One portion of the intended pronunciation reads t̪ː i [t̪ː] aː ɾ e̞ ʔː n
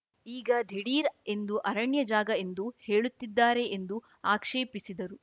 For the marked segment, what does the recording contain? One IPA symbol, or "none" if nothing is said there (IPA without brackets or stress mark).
d̪ː